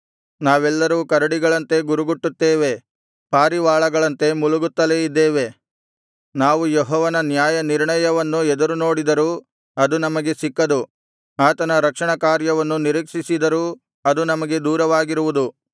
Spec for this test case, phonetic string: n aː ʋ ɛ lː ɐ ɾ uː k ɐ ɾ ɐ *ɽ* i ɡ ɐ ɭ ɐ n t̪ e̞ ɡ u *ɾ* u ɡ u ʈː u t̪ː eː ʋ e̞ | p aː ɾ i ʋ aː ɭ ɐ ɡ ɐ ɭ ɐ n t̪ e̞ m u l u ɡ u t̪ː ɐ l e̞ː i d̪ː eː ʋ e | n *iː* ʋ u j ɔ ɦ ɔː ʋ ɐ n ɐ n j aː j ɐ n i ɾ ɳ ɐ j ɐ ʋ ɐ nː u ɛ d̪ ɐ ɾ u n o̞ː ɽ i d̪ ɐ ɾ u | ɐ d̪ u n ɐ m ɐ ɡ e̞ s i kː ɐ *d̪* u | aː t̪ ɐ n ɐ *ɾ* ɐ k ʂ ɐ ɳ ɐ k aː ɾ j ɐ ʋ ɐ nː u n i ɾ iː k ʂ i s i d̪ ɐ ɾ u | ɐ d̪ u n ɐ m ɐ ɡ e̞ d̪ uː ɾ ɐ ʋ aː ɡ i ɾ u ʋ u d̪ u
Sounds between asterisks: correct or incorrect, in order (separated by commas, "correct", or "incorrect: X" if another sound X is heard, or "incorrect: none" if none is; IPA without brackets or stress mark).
correct, correct, incorrect: aː, correct, correct